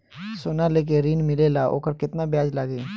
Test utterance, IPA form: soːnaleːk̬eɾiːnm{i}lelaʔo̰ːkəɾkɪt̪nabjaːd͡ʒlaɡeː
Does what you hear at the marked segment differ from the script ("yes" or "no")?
yes